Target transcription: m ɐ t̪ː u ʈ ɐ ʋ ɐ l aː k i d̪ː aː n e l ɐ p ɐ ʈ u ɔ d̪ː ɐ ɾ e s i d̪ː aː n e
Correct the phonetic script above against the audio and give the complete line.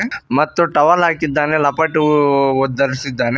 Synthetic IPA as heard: m ɐ t̪ː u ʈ ɐ ʋ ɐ l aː k i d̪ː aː n e l ɐ p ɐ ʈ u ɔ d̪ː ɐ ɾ i s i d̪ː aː n e